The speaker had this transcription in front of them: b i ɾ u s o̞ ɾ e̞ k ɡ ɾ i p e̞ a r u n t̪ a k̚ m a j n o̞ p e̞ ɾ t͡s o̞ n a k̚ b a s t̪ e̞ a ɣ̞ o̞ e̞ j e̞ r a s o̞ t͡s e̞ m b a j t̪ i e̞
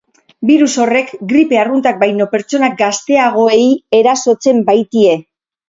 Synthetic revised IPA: b i ɾ u s o̞ r e̞ k ɡ ɾ i p e̞ a r u n t̪ a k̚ b a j n o̞ p e̞ ɾ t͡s o̞ n a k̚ ɡ a s t̪ e̞ a ɣ̞ o̞ e̞ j e̞ ɾ a s o̞ t͡s e̞ m b a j t̪ i e̞